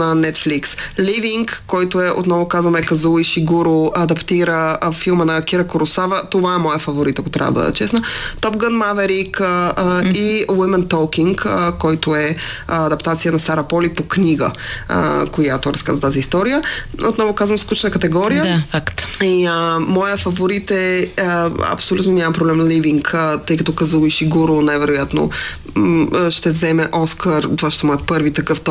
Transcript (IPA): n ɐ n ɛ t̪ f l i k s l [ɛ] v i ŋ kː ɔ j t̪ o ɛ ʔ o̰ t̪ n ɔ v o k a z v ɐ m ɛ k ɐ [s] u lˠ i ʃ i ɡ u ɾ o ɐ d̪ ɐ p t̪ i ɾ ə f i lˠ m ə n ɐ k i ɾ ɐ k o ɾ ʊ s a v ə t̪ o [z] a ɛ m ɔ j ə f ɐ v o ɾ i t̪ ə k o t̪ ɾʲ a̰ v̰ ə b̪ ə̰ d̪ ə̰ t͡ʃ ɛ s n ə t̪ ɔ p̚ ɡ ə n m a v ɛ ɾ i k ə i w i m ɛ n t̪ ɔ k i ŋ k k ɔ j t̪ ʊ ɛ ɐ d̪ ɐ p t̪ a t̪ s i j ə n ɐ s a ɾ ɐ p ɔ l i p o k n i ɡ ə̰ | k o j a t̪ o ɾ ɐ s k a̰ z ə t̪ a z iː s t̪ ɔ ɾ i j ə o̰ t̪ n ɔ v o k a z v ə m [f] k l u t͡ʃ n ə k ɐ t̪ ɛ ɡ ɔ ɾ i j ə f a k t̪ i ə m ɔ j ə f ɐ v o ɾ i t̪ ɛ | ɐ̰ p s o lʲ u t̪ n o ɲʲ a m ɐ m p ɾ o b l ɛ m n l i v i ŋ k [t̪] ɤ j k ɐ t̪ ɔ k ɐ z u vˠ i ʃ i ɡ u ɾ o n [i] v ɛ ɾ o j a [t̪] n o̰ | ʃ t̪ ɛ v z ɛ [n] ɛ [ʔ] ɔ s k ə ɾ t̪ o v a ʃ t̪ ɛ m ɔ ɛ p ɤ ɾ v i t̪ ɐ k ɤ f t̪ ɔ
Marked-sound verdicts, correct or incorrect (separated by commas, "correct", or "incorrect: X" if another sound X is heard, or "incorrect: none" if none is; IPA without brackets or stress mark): incorrect: i, incorrect: z, incorrect: v, incorrect: s, correct, incorrect: ɛ, correct, incorrect: m, correct